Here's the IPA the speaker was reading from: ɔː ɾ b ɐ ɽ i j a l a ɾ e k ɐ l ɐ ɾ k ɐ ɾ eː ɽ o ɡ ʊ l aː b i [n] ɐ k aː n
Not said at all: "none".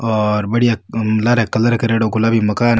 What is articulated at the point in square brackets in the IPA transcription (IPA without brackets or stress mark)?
m